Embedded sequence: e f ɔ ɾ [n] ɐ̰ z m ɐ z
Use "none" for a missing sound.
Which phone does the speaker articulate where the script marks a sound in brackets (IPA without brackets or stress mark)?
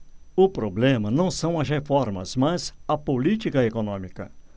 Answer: m